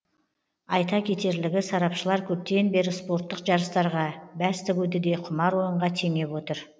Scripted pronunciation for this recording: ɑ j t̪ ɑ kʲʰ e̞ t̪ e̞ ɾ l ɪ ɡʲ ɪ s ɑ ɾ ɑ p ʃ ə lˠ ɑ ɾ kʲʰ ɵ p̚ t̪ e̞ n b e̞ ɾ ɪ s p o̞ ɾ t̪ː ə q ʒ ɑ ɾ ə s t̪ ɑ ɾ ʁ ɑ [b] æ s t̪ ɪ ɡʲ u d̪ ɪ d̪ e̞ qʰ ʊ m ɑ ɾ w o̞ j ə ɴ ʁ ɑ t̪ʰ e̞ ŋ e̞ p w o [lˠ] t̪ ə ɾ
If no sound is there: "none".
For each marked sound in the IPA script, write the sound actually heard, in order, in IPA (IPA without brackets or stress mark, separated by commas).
b, none